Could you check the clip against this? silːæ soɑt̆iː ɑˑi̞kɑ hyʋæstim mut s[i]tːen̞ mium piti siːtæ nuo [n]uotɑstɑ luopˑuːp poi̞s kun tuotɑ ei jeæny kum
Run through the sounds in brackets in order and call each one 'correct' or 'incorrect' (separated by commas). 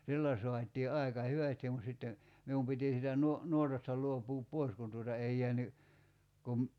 correct, correct